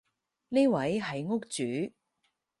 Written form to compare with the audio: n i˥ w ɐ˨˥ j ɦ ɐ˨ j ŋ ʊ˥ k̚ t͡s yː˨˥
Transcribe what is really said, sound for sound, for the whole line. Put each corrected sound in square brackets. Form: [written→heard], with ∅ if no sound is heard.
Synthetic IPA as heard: n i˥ w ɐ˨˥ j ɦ ɐ˨ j ŋ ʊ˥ k̚ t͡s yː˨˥